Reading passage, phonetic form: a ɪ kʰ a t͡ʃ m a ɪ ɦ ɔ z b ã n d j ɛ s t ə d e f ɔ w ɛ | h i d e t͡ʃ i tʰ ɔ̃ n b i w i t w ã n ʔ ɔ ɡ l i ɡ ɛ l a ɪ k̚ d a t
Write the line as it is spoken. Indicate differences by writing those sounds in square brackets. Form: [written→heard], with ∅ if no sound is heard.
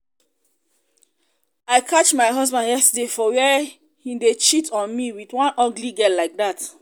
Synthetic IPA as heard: a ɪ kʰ a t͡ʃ m a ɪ ɦ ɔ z b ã n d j ɛ s t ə d e f ɔ w ɛ | h i d e t͡ʃ i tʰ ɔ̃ n [b→m] i w i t w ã n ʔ ɔ ɡ l i ɡ ɛ l a ɪ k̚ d a t